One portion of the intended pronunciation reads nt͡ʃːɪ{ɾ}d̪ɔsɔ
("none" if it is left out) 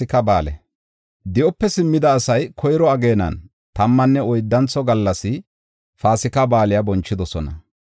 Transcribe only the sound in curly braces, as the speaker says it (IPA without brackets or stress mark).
none